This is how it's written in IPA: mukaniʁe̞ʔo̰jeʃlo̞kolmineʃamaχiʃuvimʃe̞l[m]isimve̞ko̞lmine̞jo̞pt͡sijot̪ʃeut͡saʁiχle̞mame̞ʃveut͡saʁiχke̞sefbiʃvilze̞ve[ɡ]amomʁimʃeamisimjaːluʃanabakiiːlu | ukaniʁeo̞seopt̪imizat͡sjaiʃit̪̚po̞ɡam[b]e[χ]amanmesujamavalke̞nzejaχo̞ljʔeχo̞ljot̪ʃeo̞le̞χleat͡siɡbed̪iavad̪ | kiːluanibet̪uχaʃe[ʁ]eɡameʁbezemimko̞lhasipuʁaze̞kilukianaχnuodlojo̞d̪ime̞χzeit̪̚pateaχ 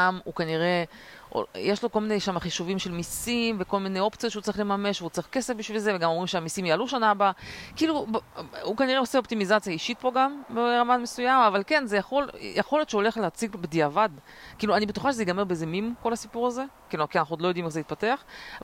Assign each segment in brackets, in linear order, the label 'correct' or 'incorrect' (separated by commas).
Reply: correct, correct, correct, incorrect, incorrect